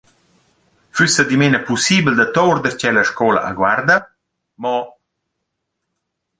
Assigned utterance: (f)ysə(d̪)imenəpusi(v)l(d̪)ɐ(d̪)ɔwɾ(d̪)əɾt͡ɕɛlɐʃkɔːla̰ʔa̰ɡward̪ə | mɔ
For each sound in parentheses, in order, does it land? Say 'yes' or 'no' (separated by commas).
yes, yes, no, yes, no, yes